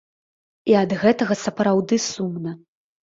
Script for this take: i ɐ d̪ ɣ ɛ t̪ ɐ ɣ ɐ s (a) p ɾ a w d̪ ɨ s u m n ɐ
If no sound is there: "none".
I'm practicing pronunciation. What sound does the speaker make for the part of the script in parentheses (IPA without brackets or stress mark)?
ɐ